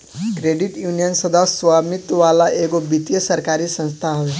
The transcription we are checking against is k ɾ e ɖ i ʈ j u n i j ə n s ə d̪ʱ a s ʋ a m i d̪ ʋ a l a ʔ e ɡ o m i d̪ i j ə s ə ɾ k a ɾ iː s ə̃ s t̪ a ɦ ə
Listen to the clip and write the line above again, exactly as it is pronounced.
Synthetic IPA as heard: k ɾ e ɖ i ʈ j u n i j ə n s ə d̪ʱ a s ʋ a m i t̪ ʋ a l a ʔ e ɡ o b i t̪ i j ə s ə ɾ k a ɾ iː s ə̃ s t̪ʰ a ɦ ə